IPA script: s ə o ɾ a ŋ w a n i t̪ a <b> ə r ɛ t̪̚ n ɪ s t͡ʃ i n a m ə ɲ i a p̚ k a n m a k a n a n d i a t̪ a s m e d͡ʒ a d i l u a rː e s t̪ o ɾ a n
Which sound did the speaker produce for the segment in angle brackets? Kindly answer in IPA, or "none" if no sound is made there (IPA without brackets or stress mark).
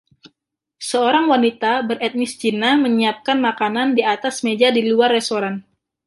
b